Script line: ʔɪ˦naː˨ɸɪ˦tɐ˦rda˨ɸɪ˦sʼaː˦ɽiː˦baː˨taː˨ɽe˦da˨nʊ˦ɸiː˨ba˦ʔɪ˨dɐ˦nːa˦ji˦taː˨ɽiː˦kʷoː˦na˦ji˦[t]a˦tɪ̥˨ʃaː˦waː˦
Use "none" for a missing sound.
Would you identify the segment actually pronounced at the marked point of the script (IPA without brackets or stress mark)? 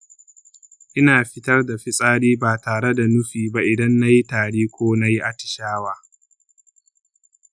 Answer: ʔ